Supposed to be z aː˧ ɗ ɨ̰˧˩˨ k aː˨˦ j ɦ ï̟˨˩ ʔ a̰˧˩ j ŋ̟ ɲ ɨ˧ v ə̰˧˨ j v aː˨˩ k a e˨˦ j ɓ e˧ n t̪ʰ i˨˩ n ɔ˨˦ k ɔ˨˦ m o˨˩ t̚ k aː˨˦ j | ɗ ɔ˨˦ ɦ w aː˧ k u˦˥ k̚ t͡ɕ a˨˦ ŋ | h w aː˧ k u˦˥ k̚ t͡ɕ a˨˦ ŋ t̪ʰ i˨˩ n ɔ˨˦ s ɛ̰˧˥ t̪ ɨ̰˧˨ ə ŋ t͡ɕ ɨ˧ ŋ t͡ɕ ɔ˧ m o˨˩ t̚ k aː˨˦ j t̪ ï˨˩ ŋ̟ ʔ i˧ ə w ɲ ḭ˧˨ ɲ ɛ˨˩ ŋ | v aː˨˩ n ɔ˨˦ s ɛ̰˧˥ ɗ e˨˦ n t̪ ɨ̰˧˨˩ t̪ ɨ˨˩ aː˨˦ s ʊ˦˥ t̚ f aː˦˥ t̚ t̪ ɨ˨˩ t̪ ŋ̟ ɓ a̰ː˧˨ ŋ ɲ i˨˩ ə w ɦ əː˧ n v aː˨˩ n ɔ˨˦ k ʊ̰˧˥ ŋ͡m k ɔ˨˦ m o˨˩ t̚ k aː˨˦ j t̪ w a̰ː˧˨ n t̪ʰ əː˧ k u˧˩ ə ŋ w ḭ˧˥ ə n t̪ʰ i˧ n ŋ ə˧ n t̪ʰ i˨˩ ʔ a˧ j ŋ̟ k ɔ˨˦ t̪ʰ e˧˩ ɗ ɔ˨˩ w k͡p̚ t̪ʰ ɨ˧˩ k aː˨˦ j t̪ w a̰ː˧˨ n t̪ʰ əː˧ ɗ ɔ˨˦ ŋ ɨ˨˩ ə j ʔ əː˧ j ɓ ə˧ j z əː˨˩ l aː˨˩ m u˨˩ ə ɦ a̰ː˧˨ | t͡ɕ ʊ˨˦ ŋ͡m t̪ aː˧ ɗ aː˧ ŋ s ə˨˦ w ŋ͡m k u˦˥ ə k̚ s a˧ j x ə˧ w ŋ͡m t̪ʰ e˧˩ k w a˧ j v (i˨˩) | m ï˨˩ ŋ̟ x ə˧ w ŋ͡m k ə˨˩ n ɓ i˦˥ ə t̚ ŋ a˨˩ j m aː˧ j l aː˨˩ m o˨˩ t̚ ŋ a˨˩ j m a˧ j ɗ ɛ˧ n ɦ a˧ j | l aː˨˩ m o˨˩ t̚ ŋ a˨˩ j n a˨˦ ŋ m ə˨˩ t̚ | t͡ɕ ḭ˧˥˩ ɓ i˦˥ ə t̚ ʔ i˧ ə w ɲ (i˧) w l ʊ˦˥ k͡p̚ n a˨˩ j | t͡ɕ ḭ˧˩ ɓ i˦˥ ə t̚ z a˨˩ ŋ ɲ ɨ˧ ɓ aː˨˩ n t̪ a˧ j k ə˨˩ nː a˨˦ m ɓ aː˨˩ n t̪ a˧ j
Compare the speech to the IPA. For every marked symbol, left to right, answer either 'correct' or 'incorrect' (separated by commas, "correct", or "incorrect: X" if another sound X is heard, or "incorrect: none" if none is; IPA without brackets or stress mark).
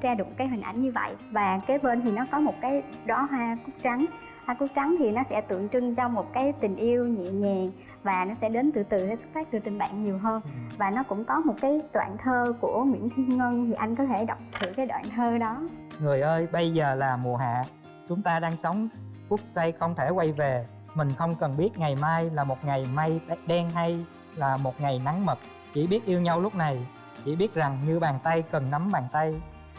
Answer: incorrect: e˨˩, incorrect: a˧